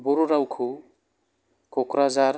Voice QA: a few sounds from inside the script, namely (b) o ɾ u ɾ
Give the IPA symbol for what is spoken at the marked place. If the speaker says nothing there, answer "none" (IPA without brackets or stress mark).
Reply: b